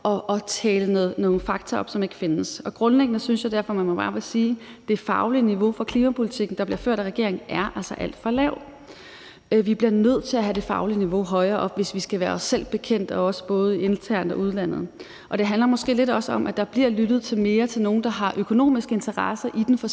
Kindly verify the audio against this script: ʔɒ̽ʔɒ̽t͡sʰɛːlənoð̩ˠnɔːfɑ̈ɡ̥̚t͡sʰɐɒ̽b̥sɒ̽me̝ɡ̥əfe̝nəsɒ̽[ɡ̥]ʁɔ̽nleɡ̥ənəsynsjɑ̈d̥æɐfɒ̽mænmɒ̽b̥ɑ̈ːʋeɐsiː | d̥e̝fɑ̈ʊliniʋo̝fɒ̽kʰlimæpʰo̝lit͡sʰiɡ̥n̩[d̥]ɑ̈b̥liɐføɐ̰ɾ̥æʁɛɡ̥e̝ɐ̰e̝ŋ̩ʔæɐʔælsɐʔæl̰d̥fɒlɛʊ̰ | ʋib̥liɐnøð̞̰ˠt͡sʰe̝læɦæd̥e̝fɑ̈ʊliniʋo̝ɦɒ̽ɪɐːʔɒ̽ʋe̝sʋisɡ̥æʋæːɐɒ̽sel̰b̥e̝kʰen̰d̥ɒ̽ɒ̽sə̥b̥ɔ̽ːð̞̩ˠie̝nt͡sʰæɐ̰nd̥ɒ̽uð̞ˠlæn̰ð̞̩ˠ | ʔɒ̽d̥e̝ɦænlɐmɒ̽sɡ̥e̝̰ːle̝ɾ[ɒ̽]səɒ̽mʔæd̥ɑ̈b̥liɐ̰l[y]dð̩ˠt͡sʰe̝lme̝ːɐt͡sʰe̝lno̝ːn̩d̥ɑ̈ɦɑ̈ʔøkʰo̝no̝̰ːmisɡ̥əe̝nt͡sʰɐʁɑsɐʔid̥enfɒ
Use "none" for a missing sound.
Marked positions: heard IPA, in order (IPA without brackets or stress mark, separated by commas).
ɡ̥, d̥, ɒ̽, y